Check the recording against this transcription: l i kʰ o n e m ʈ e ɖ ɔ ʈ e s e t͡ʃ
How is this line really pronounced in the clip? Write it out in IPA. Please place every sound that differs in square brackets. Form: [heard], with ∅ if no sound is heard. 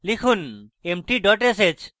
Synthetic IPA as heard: l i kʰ [u] n e m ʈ [i] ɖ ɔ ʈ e s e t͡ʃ